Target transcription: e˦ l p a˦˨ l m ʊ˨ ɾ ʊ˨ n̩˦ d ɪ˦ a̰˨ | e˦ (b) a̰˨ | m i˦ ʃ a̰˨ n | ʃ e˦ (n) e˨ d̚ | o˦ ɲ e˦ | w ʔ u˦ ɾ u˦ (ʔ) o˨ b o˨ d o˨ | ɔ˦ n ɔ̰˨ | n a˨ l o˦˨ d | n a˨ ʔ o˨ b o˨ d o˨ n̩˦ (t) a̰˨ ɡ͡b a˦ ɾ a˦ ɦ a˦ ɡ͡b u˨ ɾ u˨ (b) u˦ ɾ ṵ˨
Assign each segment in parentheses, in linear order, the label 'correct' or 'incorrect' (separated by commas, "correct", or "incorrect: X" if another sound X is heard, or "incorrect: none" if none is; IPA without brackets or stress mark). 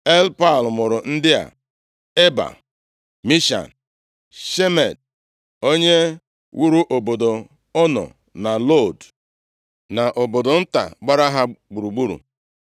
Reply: correct, incorrect: m, correct, correct, incorrect: ɡ͡b